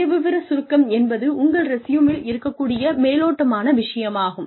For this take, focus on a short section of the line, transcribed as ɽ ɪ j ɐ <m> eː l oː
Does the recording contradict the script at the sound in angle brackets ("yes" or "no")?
no